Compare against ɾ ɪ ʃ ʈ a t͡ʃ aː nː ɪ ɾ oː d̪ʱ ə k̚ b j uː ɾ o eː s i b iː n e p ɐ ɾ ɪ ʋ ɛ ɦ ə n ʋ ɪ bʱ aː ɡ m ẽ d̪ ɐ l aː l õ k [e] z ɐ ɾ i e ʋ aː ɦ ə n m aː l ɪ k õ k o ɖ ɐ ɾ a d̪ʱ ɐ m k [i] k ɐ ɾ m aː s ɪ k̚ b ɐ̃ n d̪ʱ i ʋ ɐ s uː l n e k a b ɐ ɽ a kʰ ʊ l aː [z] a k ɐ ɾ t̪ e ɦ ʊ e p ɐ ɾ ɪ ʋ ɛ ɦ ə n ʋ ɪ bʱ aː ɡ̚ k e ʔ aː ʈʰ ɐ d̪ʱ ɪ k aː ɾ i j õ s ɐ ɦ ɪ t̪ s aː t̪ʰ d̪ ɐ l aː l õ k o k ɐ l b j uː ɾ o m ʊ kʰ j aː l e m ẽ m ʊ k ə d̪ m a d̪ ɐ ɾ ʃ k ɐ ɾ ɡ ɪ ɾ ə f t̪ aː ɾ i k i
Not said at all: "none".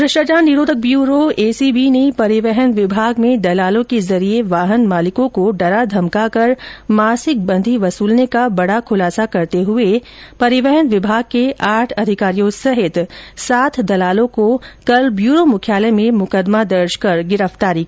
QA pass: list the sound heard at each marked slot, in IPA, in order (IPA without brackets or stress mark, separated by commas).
e, a, s